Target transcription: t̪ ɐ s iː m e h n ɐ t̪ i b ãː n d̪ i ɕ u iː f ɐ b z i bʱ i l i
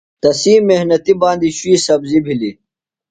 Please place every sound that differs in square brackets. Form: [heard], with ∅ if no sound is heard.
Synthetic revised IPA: t̪ ɐ s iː m e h n ɐ t̪ i b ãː n d̪ i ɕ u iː [s] ɐ b z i bʱ i l i